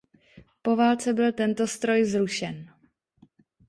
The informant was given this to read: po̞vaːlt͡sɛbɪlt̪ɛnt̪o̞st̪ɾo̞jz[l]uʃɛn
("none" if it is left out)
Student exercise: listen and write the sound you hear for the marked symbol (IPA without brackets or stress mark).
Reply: ɾ